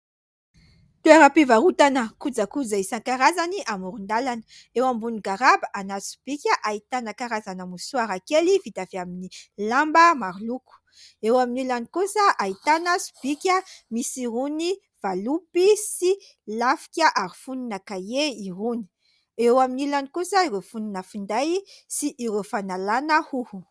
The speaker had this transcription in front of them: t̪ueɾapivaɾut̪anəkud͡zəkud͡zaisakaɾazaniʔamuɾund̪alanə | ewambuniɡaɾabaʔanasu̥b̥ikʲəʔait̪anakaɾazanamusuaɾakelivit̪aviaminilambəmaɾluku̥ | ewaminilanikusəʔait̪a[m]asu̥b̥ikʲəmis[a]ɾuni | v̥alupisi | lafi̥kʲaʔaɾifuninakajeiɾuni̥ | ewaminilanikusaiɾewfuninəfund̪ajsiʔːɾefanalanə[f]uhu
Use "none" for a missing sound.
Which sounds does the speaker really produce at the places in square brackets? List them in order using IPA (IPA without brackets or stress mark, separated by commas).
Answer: n, i, h